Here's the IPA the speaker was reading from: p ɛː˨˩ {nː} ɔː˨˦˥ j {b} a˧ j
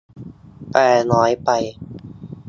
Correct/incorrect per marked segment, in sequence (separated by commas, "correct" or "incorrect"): incorrect, incorrect